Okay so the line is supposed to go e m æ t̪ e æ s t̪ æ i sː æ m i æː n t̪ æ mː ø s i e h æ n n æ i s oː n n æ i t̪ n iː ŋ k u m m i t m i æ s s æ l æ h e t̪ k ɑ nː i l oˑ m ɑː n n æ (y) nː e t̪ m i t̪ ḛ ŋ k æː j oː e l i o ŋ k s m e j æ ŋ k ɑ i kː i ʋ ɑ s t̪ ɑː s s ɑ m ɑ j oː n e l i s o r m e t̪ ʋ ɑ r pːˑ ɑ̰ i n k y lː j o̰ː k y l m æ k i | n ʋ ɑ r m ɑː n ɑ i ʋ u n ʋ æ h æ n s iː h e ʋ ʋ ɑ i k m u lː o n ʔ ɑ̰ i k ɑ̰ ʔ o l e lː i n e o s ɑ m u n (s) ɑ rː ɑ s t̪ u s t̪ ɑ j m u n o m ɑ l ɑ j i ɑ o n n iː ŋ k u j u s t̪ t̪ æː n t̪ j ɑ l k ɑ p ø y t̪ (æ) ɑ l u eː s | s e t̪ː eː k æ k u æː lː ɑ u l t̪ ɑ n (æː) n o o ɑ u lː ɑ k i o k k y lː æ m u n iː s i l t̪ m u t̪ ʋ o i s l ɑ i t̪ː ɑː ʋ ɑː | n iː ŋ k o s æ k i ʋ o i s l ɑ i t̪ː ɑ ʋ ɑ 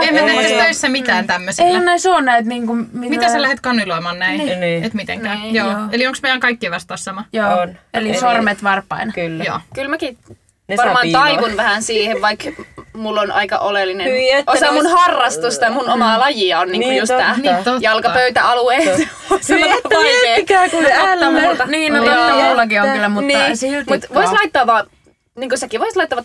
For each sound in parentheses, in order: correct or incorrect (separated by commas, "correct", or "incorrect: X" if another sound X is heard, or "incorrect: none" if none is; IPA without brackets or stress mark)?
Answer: incorrect: i, incorrect: h, correct, incorrect: iː